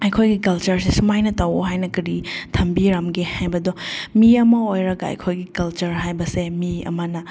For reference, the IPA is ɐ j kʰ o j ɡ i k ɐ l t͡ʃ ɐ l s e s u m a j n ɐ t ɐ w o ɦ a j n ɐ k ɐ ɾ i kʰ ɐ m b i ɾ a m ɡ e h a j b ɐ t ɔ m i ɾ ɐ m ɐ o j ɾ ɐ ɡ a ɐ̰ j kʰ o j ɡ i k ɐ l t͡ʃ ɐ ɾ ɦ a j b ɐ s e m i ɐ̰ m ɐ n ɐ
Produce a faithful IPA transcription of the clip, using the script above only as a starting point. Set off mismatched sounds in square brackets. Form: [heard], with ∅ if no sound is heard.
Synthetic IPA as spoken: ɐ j kʰ o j ɡ i k ɐ l t͡ʃ ɐ [ɾ] s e s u m a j n ɐ t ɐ w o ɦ a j n ɐ k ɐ ɾ i [tʰ] ɐ m b i ɾ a m ɡ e h a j b ɐ [d] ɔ m i [∅] ɐ m ɐ o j ɾ ɐ ɡ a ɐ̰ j kʰ o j ɡ i k ɐ l t͡ʃ ɐ ɾ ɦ a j b ɐ s e m i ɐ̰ m ɐ n ɐ